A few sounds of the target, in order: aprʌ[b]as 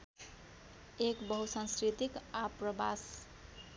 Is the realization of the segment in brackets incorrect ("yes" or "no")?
no